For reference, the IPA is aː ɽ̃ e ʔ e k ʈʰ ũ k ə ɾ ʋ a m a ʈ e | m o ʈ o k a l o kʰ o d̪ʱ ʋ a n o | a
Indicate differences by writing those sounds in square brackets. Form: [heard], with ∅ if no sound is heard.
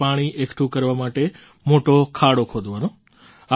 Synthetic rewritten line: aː ɽ̃ [i] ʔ e k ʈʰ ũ k ə ɾ ʋ a m a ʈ e | m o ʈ o [kʰ] a [ɽ] o kʰ o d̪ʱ ʋ a n o | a